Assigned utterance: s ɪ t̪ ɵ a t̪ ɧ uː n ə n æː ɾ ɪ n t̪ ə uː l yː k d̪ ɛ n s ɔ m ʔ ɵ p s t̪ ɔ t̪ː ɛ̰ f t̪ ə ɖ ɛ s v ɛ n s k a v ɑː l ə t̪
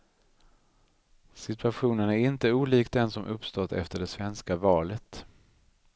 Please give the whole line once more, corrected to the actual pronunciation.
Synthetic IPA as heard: s ɪ t̪ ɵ a ɧ uː n ə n æ ɾ ɪ n t̪ ə uː l iː k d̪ ɛ n s ɔ m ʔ ɵ p s t̪ ɔ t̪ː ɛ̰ f t̪ ə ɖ ɛ s v ɛ n s k a v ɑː l ə t̪

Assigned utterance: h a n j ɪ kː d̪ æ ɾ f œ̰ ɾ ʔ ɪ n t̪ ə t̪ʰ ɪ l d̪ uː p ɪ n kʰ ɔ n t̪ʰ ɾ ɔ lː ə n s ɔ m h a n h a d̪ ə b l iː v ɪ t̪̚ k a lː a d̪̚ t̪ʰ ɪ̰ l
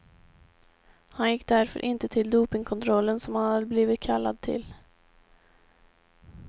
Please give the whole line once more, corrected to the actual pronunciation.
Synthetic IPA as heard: h a n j ɪ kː d̪ æ ɾ f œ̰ ɾ ʔ ɪ n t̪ ə t̪ʰ ɪ l d̪ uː p ɪ ŋ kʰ ɔ n t̪ʰ ɾ ɔ lː ə n s ɔ m h a n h a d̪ ə b l iː v ɪ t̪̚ kʰ a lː a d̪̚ t̪ʰ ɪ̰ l

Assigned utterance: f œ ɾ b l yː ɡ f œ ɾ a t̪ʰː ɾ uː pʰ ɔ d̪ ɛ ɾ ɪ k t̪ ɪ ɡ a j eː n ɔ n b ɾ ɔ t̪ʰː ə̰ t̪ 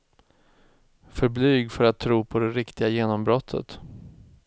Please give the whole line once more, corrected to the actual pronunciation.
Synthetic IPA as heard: f œ ɾ b l yː ɡ f œ ɾ a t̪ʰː ɾ uː pʰ ɔ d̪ ɛ ɾ ɪ k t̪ ɪ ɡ a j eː n ɔ m b ɾ ɔ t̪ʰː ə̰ t̪

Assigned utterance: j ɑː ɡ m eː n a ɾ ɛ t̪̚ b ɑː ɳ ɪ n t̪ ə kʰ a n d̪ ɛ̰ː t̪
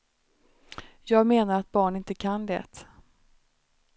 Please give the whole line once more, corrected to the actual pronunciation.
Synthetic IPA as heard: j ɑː ɡ m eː n a ɾ a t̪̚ b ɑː ɳ ɪ n t̪ ə kʰ a n d̪ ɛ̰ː t̪

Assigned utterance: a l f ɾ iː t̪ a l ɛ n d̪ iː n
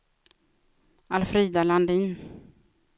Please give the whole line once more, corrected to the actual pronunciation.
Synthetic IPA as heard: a l f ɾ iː d̪ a l a n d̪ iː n

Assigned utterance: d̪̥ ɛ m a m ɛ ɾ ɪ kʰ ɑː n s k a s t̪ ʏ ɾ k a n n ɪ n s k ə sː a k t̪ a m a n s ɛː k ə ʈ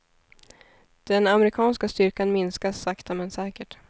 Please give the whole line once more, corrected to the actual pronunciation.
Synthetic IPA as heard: d̪̥ ɛ n a m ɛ ɾ ɪ kʰ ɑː n s k a s t̪ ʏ ɾ k a n m ɪ n s k a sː a k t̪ a m ɛ n s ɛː k ə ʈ

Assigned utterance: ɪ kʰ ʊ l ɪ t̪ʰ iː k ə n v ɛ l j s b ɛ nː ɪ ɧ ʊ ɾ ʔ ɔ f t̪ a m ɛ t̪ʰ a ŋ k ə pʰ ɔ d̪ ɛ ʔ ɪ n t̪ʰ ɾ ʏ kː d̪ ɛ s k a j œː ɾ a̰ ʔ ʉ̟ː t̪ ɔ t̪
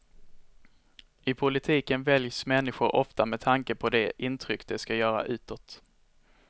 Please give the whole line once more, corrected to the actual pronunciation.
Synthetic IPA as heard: ɪ pʰ ʊ l ɪ t̪ʰ iː k ə n v ɛ l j s m ɛ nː ɪ ɧ ʊ ɾ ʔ ɔ f t̪ a m ɛ t̪ʰ a ŋ k ə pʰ ɔ d̪ ɛ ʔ ɪ n t̪ʰ ɾ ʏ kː d̪ ɛ s k a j œː ɾ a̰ ʔ ʉ̟ː t̪ ɔ t̪

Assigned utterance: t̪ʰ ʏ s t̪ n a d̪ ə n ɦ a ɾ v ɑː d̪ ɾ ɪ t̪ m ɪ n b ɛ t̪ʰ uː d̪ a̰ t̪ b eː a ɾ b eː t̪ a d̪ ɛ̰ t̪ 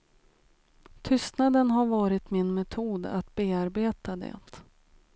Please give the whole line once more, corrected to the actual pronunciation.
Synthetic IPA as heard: t̪ʰ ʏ s t̪ n a d̪ ə n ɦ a ɾ v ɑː ɾ ɪ t̪ m ɪ n m ɛ t̪ʰ uː d̪ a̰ t̪ b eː a ɾ b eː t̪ a d̪ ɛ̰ t̪

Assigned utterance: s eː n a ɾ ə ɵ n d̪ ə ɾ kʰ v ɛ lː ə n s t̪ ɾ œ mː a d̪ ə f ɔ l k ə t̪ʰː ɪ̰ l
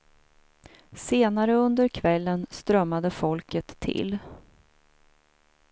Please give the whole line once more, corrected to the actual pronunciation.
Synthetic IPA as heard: s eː n a ɾ ə ɵ n d̪ ə ɾ kʰ v ɛ lː ə n s t̪ ɾ œ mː a d̪ ə f ɔ l k ə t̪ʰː ɪ̰ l

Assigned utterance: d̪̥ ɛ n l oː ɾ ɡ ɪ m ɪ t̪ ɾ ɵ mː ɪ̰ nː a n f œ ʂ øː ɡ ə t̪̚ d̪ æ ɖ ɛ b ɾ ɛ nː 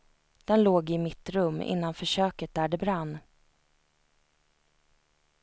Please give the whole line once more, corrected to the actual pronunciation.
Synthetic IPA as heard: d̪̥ ɛ n l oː ɡ ɪ m ɪ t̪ ɾ ɵ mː ɪ̰ nː a n f œ ʂ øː k ə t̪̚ d̪ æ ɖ ɛ b ɾ a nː

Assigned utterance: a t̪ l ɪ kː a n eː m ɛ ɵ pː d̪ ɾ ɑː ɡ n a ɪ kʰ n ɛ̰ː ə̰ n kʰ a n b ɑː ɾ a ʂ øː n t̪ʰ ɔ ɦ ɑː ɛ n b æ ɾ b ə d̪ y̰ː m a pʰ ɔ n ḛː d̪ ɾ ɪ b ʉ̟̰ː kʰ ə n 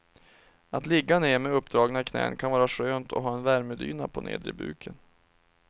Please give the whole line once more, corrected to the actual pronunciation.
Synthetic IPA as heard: a t̪ l ɪ ɡː a n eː m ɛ ɵ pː d̪ ɾ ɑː ɡ n a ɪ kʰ n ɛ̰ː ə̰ n kʰ a n v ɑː ɾ a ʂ øː n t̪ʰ ɔ ɦ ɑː ɛ n v æ ɾ m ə d̪ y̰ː n a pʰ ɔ n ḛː d̪ ɾ ɪ b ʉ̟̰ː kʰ ə n

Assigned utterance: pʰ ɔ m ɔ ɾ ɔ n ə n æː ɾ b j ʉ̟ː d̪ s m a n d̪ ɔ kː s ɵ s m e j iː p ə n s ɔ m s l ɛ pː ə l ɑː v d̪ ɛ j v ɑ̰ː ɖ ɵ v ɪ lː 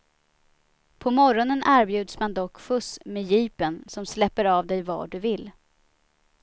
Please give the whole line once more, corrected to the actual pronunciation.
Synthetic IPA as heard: pʰ ɔ m ɔ ɾ ɔ n ə n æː ɾ b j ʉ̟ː d̪ s m a n d̪ ɔ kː f ɵ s m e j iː p ə n s ɔ m s l ɛ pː ə ɾ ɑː v d̪ ɛ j v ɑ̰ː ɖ ɵ v ɪ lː

